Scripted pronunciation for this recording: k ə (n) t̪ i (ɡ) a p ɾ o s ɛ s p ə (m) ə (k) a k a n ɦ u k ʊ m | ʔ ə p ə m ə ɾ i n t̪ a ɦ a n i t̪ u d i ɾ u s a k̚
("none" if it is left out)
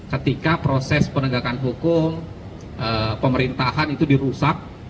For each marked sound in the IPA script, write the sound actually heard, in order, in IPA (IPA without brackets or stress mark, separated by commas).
none, k, n, ɡ